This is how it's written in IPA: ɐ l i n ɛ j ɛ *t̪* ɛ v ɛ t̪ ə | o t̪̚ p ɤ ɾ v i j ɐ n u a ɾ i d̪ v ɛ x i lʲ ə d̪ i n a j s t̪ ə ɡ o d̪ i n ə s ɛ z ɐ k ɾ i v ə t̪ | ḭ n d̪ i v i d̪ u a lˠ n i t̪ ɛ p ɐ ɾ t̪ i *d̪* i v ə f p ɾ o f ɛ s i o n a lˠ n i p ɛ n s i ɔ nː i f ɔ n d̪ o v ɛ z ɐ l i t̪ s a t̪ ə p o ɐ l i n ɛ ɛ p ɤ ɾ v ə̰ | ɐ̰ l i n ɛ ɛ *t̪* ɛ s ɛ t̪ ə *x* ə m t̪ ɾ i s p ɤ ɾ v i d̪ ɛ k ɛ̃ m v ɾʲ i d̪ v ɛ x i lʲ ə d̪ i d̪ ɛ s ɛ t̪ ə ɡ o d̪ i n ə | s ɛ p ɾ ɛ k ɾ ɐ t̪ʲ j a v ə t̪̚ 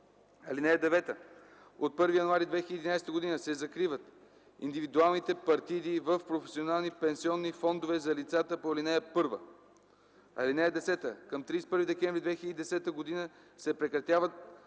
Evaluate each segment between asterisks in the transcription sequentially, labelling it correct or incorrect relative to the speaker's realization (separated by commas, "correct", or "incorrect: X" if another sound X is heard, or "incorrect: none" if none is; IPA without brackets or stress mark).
incorrect: d̪, correct, incorrect: d̪, incorrect: k